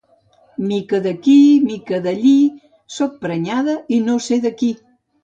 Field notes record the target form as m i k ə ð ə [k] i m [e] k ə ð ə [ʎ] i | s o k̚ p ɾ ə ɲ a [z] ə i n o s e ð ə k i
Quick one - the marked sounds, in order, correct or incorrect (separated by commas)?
correct, incorrect, correct, incorrect